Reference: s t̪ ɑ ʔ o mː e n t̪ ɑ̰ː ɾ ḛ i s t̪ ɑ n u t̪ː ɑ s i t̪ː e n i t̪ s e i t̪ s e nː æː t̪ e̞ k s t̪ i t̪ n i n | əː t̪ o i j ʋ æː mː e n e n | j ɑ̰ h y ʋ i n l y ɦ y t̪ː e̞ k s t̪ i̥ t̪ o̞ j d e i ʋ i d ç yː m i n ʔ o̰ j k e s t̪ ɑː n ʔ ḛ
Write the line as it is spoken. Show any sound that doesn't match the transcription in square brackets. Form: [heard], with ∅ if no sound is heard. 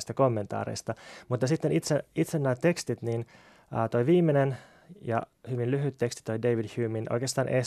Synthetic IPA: s t̪ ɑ [k] o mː e n t̪ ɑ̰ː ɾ ḛ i s t̪ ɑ [m] u t̪ː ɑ s i t̪ː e n i t̪ s e i t̪ s e nː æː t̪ e̞ k s t̪ i t̪ n i n | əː t̪ o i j ʋ [iː] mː e n e n | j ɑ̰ h y ʋ i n l y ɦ y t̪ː e̞ k s t̪ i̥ t̪ o̞ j d e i ʋ i d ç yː m i n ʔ o̰ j k e s t̪ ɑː n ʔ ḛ